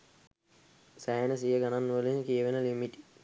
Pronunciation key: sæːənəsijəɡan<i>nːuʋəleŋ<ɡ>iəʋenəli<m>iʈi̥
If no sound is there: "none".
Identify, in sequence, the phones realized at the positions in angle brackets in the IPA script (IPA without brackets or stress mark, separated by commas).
a, k, m